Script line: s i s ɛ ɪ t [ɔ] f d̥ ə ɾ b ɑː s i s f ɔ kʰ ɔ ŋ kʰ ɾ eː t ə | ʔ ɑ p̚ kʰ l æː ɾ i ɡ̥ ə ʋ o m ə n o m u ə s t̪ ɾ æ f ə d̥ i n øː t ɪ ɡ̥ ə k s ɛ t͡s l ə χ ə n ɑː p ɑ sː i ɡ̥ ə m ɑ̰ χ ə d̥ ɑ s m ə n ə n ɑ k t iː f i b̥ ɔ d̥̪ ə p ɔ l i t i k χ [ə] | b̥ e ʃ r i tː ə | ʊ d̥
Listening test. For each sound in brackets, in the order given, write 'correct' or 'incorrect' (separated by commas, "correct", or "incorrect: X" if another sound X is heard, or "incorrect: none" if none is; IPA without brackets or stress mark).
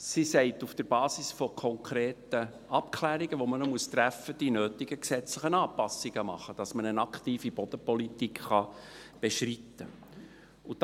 incorrect: u, incorrect: ɑ